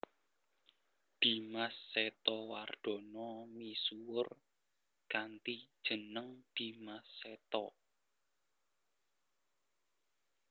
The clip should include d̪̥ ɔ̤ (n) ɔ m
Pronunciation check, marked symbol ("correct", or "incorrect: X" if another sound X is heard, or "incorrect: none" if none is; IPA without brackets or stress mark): correct